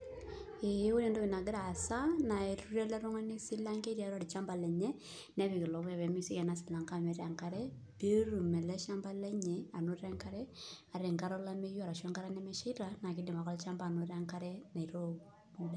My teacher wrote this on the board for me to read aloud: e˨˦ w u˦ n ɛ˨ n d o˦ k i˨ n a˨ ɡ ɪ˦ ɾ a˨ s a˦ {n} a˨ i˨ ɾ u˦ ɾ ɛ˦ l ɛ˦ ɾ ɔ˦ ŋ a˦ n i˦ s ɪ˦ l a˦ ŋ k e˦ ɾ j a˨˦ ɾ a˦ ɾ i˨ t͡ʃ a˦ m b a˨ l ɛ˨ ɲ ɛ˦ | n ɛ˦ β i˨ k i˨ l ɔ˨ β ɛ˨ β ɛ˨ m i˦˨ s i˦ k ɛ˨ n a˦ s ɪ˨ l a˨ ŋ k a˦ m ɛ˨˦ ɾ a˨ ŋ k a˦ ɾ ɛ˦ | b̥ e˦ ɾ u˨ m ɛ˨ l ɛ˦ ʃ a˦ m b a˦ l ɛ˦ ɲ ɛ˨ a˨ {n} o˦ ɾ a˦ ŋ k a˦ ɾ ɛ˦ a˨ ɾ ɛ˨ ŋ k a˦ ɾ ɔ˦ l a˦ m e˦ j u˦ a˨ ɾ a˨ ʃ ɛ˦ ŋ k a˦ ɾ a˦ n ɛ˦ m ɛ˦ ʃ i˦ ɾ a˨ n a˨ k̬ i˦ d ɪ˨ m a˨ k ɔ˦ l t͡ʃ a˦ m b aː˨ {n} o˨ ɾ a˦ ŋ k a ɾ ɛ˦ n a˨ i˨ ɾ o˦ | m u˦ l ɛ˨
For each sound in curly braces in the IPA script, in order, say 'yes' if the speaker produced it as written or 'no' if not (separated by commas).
yes, yes, yes